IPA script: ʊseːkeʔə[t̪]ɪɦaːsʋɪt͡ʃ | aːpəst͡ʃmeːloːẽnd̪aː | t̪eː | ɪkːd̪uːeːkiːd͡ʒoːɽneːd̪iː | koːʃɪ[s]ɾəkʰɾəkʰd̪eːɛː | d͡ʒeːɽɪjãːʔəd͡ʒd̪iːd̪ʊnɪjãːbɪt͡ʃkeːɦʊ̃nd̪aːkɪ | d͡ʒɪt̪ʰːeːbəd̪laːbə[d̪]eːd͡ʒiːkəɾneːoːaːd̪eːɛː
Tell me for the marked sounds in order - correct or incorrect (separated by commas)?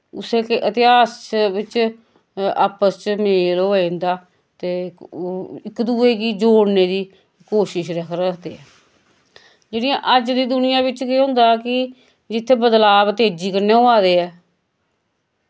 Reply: correct, incorrect, incorrect